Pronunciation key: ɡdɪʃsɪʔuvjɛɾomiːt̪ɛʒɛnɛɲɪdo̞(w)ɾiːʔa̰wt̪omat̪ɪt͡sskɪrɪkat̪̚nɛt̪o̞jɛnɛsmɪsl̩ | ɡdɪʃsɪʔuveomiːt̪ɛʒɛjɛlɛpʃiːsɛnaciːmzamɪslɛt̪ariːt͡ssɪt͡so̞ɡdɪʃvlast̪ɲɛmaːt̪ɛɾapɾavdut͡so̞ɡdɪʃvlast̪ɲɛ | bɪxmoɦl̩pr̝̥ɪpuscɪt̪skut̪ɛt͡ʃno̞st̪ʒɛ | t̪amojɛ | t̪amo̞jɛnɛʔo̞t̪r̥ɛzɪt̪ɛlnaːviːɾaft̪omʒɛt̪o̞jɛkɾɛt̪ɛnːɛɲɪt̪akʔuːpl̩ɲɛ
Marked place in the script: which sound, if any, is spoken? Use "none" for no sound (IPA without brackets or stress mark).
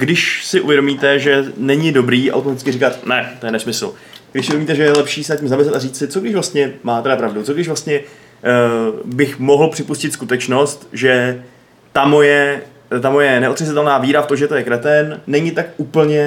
b